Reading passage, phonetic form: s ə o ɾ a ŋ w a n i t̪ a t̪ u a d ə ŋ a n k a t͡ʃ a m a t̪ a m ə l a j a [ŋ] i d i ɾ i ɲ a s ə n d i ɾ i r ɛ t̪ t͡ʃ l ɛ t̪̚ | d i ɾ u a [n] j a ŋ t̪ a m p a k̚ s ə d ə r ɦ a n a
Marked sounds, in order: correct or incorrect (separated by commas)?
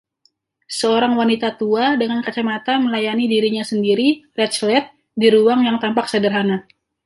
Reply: incorrect, incorrect